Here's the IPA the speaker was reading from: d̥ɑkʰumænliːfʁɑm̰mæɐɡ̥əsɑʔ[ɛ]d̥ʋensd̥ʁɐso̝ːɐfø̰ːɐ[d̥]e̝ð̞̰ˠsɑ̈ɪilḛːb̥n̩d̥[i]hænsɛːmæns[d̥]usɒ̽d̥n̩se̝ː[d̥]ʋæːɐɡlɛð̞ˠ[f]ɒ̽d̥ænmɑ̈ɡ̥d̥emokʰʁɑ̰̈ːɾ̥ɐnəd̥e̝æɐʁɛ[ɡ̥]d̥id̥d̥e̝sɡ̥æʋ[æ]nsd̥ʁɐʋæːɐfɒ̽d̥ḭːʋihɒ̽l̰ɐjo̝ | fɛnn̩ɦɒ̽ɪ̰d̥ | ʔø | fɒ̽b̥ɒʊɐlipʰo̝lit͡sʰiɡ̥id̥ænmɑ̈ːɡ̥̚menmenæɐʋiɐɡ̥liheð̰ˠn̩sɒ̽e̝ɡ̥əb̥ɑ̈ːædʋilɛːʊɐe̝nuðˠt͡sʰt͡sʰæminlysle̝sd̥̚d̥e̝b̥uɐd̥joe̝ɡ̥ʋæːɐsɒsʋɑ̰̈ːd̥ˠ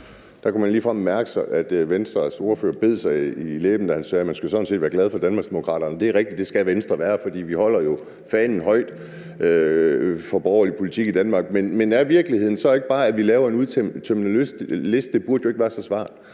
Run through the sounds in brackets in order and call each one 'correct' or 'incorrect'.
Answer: incorrect, incorrect, incorrect, incorrect, correct, correct, correct, incorrect

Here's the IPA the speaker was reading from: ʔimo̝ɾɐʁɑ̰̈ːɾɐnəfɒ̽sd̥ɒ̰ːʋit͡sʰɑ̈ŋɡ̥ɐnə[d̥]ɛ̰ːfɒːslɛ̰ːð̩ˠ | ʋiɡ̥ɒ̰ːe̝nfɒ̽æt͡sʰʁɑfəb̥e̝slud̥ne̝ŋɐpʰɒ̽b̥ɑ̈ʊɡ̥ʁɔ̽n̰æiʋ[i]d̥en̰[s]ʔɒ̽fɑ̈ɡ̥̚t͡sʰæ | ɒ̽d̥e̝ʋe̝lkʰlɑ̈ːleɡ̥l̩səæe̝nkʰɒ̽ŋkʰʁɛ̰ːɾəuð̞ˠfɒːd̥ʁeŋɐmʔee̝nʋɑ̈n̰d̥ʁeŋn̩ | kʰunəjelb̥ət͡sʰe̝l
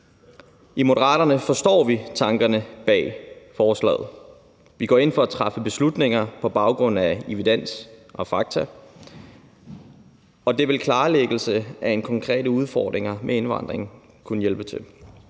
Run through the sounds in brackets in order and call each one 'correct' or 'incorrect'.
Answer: incorrect, correct, correct

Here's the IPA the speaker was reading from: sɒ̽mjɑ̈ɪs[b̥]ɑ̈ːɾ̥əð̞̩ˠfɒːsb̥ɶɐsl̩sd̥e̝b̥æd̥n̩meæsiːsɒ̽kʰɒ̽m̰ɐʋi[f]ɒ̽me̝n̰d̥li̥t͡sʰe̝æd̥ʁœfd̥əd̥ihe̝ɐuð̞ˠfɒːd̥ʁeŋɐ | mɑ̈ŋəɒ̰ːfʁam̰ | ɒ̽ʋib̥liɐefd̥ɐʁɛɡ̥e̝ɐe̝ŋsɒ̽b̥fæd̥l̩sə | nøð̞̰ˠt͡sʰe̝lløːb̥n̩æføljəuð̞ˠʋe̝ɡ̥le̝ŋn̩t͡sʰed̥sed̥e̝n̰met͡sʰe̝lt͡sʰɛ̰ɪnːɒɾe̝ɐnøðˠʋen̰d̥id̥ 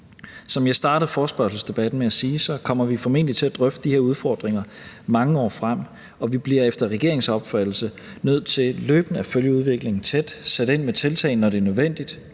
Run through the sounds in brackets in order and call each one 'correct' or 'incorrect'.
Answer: incorrect, correct

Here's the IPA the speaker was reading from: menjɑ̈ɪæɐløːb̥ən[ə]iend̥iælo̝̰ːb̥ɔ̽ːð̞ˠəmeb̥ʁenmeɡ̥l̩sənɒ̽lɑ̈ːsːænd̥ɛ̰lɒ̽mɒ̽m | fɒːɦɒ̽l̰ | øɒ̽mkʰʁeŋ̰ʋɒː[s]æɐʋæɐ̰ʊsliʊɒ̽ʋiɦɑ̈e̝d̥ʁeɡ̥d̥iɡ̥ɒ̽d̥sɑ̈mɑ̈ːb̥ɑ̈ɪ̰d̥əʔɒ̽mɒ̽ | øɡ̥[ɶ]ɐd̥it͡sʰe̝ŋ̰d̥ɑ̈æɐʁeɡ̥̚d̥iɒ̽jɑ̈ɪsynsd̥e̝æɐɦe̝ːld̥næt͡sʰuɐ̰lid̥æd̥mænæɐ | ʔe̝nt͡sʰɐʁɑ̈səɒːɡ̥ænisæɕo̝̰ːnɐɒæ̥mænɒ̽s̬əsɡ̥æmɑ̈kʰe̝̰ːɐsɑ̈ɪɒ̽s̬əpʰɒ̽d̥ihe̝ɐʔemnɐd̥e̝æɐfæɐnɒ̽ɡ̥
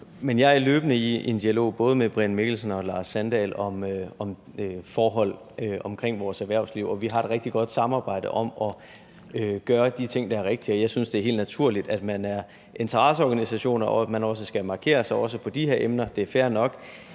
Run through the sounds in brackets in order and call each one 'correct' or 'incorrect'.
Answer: correct, correct, incorrect

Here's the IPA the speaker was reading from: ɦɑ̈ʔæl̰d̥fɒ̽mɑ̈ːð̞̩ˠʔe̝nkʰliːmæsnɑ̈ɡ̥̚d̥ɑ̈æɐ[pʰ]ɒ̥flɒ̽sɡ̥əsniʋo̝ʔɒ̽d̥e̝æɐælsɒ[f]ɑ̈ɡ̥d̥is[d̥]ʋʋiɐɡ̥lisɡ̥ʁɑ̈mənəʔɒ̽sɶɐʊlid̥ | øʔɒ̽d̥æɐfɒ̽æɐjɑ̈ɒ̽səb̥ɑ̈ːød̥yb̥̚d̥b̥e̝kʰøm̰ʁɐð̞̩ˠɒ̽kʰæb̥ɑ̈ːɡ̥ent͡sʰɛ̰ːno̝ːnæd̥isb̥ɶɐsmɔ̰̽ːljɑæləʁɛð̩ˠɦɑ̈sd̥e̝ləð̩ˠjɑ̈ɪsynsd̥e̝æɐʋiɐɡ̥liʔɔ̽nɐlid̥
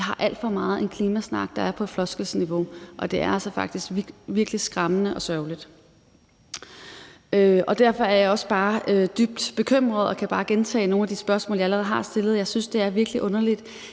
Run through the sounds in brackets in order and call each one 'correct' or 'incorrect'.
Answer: correct, correct, incorrect

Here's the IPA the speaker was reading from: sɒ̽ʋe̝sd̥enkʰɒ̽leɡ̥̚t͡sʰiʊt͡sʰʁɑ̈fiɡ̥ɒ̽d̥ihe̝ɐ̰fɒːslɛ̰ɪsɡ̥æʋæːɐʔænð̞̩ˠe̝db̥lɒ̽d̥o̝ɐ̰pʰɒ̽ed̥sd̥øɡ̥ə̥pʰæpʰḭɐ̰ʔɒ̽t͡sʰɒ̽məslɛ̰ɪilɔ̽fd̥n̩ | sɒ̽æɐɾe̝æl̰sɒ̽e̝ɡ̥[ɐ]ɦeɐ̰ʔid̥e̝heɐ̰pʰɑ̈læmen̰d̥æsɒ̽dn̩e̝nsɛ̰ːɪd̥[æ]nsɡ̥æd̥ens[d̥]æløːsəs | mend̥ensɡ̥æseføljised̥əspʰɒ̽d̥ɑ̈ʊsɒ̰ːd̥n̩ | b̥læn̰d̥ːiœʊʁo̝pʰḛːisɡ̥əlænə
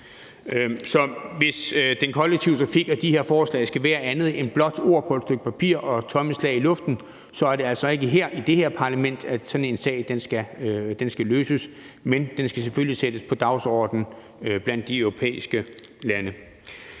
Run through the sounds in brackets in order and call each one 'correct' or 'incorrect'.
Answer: incorrect, incorrect, incorrect

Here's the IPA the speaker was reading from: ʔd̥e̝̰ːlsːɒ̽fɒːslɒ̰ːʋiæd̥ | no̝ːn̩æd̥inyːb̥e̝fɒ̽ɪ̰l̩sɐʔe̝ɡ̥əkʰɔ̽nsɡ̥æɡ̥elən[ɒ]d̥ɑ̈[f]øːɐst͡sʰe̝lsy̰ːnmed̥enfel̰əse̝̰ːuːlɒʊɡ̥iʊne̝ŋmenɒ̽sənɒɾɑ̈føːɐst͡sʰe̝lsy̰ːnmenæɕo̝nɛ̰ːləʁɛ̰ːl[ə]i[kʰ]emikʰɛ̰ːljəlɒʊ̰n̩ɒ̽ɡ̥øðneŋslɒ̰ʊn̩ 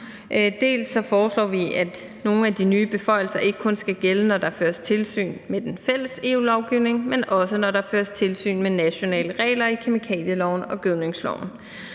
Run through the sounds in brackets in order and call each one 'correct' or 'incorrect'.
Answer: correct, correct, incorrect, correct

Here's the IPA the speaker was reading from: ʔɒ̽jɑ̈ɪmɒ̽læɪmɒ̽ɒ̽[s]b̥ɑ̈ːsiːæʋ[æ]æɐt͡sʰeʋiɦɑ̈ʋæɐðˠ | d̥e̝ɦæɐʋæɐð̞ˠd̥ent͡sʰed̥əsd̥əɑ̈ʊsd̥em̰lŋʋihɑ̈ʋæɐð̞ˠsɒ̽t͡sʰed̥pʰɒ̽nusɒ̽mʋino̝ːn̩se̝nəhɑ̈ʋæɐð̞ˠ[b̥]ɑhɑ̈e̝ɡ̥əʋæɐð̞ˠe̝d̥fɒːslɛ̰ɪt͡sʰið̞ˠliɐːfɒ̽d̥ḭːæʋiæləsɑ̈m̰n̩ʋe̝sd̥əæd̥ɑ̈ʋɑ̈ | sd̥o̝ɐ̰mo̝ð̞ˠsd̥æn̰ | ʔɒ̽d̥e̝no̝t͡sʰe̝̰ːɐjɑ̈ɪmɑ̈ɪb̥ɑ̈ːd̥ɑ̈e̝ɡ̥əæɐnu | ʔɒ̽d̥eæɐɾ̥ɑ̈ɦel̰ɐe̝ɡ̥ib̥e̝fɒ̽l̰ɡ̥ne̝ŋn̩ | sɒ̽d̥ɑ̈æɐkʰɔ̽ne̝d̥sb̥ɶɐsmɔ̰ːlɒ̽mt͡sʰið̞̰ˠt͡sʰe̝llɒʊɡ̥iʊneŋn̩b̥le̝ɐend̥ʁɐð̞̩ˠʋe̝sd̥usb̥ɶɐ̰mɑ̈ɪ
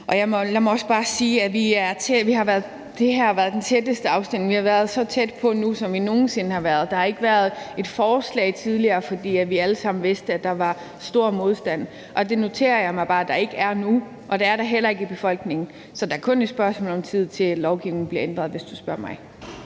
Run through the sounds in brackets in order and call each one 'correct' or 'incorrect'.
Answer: correct, incorrect, incorrect

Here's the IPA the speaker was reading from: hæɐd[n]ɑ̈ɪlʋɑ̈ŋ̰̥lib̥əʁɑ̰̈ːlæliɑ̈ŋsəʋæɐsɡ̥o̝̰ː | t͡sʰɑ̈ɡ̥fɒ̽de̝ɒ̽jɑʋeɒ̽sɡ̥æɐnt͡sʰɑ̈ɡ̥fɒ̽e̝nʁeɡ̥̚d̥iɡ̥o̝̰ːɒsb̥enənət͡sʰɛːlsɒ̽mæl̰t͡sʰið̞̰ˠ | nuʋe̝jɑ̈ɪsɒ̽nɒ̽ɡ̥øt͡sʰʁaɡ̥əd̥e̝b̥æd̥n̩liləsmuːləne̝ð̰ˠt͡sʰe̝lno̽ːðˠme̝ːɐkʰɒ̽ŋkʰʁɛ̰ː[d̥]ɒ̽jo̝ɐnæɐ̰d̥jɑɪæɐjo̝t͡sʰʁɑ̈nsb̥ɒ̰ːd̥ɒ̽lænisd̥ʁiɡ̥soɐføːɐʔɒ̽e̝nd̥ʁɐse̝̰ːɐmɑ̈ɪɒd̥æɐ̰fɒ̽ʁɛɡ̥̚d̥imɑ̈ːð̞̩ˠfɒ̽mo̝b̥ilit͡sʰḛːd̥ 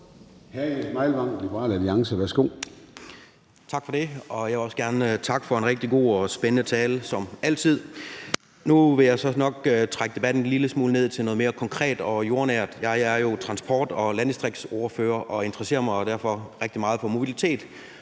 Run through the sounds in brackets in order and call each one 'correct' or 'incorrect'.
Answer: incorrect, correct

